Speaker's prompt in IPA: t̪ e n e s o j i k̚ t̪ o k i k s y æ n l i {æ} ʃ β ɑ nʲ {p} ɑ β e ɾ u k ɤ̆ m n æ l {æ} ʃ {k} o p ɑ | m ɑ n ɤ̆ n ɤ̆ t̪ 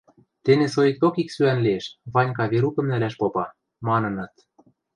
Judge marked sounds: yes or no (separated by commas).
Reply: no, no, yes, no